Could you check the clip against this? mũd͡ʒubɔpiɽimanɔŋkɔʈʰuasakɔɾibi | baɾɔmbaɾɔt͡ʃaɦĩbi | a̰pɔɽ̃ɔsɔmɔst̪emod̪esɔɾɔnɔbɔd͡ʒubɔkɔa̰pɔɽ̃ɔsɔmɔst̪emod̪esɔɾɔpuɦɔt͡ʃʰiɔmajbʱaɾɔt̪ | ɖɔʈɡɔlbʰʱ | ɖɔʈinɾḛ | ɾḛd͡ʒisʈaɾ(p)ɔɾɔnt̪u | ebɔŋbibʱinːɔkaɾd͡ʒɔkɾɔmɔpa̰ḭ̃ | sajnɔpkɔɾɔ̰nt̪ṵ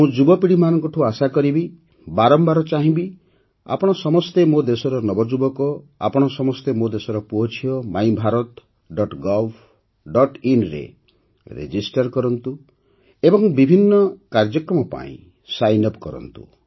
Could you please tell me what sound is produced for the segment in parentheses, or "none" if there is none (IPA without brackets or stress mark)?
k